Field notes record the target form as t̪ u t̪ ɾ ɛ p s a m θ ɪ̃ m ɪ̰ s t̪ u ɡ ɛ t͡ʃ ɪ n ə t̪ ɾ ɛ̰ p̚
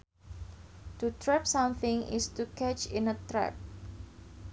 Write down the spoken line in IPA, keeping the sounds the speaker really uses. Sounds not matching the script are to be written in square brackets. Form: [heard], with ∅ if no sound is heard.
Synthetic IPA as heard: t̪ u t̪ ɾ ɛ p s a m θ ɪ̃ [ŋ] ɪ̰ s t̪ u [k] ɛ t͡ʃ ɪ n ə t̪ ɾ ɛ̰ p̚